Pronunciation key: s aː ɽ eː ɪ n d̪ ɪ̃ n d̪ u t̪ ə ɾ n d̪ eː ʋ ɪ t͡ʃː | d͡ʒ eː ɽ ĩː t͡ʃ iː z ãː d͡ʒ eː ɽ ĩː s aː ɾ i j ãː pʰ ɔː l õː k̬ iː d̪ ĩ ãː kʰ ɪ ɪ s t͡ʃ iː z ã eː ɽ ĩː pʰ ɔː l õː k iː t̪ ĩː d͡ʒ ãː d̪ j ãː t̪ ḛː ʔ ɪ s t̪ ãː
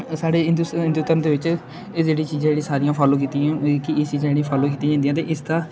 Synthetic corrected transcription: s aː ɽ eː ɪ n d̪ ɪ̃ n d̪ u t̪ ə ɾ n d̪ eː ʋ ɪ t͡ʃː | d͡ʒ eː ɽ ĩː t͡ʃ iː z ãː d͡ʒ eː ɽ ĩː s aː ɾ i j ãː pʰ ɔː l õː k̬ iː t̪ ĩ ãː k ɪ ɪ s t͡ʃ iː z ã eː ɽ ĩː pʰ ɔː l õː k iː t̪ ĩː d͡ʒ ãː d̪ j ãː t̪ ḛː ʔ ɪ s t̪ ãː